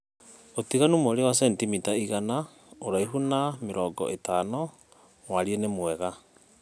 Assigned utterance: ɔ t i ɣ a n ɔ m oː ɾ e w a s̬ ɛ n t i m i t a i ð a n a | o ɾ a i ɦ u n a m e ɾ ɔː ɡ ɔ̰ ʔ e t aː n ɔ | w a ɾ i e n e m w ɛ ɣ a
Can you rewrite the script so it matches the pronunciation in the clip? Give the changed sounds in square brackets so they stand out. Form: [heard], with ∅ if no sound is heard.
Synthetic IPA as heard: [o] t i ɣ a n [u] m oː ɾ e w a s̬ ɛ n t i m i t a i [ɣ] a n a | o ɾ a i ɦ u n a m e ɾ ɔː ɡ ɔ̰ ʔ e t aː n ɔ | w a ɾ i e n e m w ɛ ɣ a